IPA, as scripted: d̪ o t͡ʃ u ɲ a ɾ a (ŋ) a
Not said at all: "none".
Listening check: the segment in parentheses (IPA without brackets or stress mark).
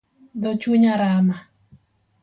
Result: m